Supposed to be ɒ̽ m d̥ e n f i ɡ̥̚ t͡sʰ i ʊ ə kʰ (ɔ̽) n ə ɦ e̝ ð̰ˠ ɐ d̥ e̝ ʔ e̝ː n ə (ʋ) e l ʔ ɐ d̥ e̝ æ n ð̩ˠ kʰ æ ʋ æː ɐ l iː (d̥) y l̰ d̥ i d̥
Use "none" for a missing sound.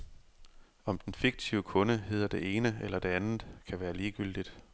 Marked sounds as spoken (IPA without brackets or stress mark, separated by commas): ɔ̽, none, ɡ̥